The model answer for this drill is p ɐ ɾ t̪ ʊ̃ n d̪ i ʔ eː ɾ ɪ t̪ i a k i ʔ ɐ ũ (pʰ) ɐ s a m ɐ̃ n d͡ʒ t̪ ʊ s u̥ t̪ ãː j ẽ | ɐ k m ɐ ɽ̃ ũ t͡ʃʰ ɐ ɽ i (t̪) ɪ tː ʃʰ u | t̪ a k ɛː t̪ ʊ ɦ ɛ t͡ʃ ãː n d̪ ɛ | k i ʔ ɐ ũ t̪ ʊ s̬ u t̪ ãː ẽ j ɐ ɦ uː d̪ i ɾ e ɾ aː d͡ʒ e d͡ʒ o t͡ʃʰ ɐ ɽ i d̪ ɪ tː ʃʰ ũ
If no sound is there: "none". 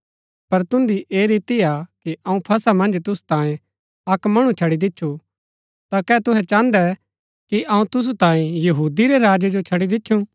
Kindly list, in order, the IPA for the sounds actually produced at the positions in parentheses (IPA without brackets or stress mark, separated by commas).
pʰ, d̪